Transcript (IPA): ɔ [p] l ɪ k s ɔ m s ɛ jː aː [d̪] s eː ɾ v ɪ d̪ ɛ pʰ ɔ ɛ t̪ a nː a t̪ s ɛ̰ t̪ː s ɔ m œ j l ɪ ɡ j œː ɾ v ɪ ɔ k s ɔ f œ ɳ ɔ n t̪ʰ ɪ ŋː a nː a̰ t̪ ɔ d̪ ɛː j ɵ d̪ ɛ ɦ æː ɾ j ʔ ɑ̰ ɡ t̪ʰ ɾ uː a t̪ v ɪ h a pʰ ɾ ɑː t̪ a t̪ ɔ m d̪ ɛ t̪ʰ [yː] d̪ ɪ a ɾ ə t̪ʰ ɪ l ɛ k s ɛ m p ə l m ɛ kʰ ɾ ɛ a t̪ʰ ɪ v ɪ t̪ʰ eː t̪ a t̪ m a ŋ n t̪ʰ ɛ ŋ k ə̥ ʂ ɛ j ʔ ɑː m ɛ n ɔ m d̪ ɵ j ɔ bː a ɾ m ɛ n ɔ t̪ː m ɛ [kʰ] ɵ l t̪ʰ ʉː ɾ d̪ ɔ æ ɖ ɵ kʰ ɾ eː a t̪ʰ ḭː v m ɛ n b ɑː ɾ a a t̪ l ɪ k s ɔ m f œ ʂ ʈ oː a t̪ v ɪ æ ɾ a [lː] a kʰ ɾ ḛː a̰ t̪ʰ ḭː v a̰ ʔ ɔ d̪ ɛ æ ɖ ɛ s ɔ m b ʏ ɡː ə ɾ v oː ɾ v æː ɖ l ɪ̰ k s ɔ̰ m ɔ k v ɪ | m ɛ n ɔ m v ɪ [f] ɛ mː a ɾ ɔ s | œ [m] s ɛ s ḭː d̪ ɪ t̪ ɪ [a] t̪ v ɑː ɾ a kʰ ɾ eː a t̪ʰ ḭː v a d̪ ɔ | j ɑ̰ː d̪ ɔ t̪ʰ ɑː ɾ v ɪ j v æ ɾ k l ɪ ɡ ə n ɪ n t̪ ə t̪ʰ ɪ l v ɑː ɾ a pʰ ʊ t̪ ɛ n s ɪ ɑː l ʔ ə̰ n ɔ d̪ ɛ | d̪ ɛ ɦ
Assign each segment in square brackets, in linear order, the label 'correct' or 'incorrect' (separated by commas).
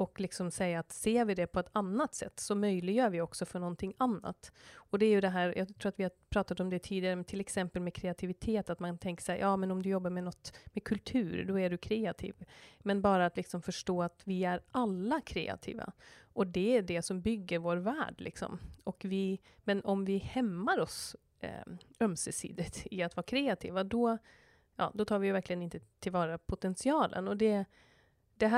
incorrect, incorrect, incorrect, correct, correct, incorrect, correct, correct